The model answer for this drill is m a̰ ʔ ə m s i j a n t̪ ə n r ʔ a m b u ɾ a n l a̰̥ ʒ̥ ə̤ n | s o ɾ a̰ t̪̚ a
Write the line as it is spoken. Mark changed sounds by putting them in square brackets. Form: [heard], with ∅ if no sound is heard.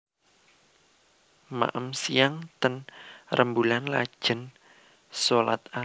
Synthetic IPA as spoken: m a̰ ʔ ə m s i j a [ŋ] t̪ ə n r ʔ [ə] m b u [l] a n l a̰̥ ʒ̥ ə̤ n | s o [l] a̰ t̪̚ a

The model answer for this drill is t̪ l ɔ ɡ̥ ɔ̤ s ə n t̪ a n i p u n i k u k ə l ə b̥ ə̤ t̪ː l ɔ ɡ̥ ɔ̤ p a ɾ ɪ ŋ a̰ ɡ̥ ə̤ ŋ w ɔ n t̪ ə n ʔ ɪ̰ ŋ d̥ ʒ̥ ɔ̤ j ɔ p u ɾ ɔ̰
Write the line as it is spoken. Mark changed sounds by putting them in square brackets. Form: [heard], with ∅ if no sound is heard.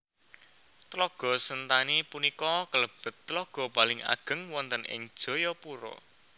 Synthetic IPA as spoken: t̪ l ɔ ɡ̥ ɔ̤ s ə n t̪ a n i p u n i k [ɔ] k ə l ə b̥ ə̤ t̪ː l ɔ ɡ̥ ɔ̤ p a [l] ɪ ŋ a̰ ɡ̥ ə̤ ŋ w ɔ n t̪ ə n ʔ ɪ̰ ŋ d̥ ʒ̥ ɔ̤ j ɔ p u ɾ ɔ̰

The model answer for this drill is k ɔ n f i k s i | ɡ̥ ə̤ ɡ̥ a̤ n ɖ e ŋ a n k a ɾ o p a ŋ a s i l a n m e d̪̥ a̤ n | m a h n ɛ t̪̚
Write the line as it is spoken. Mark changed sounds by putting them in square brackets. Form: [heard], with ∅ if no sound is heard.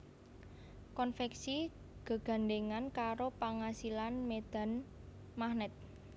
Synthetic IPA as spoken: k ɔ n f [ɛ] k s i | ɡ̥ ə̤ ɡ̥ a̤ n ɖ e ŋ a n k a ɾ o p a ŋ a s i l a n m e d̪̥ a̤ n | m a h n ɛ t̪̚

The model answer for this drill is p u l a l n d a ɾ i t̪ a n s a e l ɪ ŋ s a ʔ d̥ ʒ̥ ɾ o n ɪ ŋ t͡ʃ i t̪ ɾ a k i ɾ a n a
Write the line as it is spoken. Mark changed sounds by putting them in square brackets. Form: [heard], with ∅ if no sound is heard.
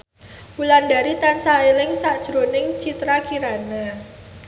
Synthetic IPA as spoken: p u l a [∅] n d a ɾ i t̪ a n s a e l ɪ ŋ s a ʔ d̥ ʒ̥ ɾ o n ɪ ŋ t͡ʃ i t̪ ɾ a k i ɾ a n a

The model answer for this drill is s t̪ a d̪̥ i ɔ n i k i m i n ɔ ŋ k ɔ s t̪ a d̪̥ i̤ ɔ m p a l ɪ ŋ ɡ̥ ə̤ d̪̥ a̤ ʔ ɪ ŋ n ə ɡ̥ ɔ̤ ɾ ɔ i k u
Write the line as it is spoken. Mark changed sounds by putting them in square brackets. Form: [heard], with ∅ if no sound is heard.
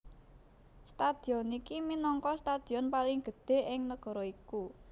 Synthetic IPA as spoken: s t̪ a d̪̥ i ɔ n i k i m i n ɔ ŋ k ɔ s t̪ a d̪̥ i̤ ɔ [n] p a l ɪ ŋ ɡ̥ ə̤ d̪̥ [e̤] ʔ ɪ ŋ n ə ɡ̥ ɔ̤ ɾ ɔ i k u

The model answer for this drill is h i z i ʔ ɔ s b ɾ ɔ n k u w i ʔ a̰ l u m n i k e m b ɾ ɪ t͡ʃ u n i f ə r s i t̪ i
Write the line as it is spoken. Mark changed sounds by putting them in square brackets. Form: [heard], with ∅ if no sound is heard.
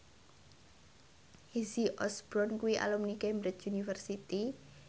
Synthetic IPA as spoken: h i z i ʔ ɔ s b ɾ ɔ n k u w i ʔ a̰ l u m n i k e m b ɾ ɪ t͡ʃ u n i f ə r s i t̪ i

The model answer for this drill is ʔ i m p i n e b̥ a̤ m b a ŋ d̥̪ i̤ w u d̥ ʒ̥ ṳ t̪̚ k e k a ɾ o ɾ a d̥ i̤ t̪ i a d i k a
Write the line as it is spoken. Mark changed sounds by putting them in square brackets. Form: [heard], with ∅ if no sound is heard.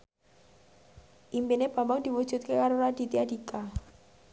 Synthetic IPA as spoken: ʔ i m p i n e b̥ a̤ m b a ŋ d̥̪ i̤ w u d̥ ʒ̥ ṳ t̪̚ k e k a ɾ o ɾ a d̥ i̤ t̪ i a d i k a

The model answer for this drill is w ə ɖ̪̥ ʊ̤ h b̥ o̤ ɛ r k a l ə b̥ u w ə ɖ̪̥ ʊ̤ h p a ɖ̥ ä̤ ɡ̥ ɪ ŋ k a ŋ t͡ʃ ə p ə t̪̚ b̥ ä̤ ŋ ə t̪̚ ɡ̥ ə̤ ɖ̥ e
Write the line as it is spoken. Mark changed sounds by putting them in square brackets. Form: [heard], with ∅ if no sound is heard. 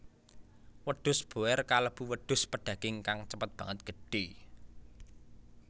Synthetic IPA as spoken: w ə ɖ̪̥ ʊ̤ [s] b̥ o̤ ɛ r k a l ə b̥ u w ə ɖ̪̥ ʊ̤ [s] p [ə] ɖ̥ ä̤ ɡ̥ ɪ ŋ k a ŋ t͡ʃ ə p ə t̪̚ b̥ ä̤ ŋ ə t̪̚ ɡ̥ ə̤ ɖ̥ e

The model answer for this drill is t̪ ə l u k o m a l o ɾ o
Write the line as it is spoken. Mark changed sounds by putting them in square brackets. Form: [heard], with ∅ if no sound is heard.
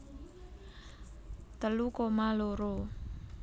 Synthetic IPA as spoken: t̪ ə l u k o m a l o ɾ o

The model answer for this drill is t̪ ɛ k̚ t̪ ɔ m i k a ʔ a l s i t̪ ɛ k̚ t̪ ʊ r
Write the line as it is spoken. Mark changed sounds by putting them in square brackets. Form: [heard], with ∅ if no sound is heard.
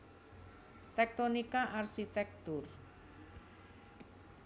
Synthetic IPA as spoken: t̪ ɛ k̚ t̪ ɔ [n] i k a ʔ a [r] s i t̪ ɛ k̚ t̪ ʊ r

